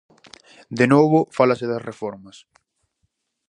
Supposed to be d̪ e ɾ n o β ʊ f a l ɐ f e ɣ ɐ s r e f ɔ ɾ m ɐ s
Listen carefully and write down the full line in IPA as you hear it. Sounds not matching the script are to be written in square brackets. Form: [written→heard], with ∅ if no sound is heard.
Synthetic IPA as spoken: d̪ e [ɾ→∅] n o β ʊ f a l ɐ [f→s] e [ɣ→ð] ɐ s r e f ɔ ɾ m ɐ s